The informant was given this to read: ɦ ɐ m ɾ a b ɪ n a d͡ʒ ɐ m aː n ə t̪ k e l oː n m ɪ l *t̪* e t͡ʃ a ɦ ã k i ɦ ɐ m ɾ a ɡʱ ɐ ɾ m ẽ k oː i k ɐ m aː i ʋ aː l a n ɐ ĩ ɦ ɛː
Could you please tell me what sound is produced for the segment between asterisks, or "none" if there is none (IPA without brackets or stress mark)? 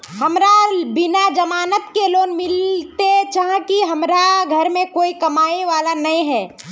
t̪